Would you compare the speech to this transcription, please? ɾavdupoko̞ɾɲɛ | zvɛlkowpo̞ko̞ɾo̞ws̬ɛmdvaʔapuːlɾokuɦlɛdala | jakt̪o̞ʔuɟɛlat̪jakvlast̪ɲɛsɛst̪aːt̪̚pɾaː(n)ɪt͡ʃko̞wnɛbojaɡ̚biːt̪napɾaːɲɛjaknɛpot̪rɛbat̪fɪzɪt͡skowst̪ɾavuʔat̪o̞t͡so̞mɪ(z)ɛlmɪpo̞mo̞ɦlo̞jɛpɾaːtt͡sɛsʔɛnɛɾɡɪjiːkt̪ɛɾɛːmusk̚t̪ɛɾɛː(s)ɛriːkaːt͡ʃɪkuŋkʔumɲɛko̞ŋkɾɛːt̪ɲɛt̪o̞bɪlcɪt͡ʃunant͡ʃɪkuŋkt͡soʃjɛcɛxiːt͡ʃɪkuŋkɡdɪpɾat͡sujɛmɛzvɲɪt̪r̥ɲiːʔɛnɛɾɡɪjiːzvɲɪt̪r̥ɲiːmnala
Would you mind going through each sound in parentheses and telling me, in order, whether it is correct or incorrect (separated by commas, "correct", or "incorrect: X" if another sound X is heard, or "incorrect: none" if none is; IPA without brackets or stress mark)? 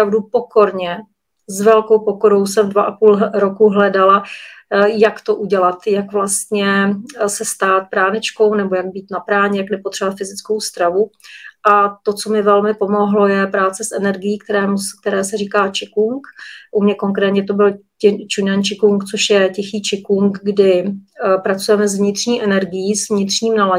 correct, incorrect: v, correct